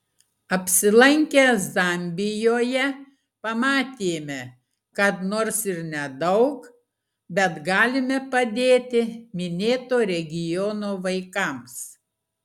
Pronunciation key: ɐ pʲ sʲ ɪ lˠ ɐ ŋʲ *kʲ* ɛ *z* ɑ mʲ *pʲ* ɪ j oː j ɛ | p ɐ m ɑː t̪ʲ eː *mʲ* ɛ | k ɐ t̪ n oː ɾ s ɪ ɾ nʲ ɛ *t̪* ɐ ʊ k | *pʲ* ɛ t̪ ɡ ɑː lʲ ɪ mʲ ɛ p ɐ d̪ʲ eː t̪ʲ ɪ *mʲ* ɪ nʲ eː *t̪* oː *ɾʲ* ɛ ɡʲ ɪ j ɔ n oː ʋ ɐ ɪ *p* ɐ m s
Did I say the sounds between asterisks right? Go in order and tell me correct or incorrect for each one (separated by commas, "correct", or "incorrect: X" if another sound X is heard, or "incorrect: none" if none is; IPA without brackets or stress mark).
correct, correct, incorrect: bʲ, correct, incorrect: d̪, incorrect: bʲ, correct, correct, correct, incorrect: k